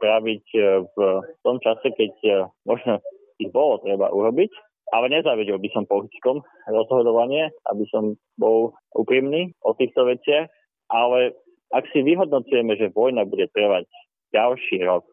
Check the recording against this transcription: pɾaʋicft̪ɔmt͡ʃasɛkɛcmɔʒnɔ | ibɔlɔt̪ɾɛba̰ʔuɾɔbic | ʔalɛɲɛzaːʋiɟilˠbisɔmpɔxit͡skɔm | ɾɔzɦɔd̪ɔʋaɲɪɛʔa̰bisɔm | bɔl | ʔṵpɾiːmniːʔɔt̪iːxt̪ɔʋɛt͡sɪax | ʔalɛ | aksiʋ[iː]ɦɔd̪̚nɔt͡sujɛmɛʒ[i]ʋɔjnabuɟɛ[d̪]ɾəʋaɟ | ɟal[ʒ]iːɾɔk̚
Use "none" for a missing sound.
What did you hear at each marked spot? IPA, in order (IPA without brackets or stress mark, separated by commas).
i, ɛ, t̪, ʃ